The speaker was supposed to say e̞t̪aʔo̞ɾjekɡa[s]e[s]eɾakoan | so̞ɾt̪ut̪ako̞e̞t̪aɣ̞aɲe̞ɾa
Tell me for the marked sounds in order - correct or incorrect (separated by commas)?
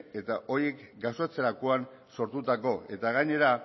correct, incorrect